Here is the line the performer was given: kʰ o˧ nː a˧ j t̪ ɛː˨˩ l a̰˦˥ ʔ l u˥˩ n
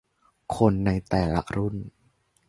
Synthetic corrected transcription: kʰ o˧ nː a˧ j t̪ ɛː˨˩ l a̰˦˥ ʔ ɾ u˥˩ n